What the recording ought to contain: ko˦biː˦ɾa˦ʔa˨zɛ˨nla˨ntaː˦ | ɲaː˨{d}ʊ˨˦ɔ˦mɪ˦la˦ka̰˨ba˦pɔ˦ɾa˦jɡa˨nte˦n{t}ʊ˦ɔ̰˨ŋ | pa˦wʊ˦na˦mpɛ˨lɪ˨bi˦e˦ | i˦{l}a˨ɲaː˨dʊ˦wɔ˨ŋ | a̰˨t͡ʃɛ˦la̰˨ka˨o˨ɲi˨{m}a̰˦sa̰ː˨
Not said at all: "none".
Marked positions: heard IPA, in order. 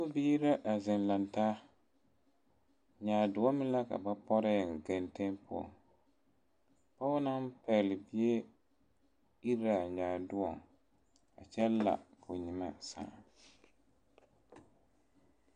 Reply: d, p, ɾ, m

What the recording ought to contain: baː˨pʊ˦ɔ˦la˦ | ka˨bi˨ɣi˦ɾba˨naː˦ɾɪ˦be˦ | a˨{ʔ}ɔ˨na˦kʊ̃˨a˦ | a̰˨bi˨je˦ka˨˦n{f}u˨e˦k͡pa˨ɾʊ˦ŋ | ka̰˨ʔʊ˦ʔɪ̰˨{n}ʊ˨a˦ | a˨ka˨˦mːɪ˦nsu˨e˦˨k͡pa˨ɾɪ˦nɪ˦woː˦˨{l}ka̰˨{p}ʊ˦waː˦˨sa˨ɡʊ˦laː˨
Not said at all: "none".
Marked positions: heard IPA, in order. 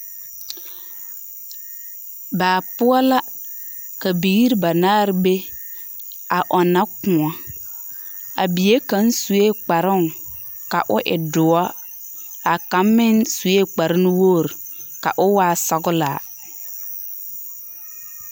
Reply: ʔ, s, d, ɾ, ʔ

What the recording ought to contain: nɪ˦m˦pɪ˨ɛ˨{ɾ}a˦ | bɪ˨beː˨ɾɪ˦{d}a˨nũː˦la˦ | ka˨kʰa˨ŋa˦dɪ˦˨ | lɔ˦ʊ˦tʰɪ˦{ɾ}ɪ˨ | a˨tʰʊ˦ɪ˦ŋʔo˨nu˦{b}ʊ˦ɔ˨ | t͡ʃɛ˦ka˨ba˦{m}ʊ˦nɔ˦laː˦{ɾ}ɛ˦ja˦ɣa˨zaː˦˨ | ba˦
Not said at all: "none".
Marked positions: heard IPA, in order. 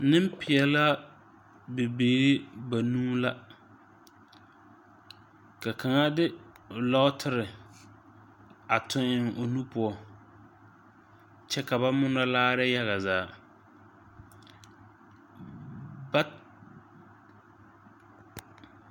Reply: l, b, ɾ, p, m, ɾ

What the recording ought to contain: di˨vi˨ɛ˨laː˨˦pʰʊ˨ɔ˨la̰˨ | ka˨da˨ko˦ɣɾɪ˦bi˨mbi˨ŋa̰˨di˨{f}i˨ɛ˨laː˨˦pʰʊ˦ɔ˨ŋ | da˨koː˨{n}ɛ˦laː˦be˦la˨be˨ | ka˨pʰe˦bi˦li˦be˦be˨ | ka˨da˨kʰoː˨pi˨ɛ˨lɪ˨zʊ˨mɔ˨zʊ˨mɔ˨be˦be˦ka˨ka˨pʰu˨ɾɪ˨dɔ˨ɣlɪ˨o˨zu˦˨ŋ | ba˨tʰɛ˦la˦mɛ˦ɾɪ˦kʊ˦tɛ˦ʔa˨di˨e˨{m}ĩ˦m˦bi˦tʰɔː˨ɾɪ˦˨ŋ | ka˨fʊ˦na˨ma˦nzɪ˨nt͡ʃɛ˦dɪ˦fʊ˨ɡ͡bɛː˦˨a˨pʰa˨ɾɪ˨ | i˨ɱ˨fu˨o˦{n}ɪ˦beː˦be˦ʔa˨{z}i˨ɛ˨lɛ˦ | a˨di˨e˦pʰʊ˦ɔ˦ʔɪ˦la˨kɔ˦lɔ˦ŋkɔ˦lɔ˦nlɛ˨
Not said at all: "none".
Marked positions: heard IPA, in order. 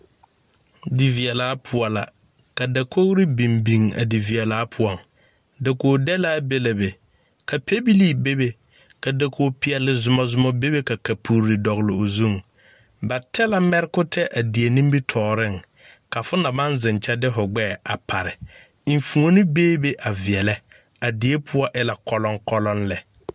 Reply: v, d, n, n, v

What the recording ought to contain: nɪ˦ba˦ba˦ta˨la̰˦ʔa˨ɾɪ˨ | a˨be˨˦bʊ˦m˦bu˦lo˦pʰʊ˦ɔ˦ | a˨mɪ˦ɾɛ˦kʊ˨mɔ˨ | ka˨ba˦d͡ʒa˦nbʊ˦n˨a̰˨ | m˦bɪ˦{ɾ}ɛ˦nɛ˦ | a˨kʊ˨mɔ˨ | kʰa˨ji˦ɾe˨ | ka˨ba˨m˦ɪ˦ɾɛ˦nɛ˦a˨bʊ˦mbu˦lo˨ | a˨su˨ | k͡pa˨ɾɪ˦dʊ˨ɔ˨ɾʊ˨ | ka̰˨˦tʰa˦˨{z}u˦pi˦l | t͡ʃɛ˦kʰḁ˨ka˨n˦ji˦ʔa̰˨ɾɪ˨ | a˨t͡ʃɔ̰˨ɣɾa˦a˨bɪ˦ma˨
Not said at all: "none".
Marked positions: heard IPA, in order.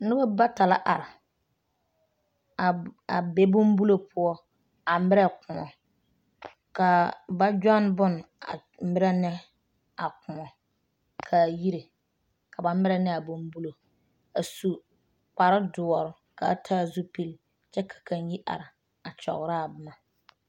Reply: ɾ, z

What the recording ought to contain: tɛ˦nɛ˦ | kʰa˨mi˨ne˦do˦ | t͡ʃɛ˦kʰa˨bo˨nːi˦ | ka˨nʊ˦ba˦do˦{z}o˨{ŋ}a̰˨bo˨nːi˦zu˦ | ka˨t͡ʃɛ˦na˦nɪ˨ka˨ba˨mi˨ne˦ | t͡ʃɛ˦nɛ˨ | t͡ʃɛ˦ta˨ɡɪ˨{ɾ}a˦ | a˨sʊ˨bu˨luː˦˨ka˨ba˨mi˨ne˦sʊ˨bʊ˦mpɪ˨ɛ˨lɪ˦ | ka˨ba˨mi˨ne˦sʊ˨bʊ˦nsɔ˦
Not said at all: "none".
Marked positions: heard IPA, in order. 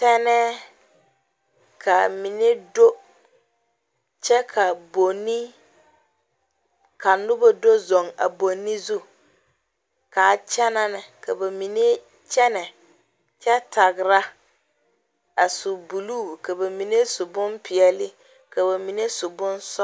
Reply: z, ŋ, ɾ

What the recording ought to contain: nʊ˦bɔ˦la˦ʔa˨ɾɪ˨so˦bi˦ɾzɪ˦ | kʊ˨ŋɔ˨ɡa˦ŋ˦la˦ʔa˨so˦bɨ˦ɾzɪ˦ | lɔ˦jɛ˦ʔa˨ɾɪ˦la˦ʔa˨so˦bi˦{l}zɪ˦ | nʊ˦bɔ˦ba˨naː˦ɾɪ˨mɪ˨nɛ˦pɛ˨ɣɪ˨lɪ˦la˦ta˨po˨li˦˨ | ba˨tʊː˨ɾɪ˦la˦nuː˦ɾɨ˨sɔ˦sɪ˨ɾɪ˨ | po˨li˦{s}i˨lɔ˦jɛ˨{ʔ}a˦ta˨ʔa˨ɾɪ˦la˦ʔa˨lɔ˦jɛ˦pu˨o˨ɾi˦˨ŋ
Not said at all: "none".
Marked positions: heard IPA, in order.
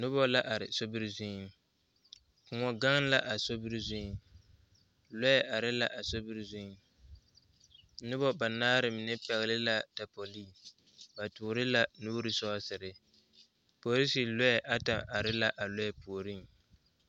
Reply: ɾ, s, ʔ

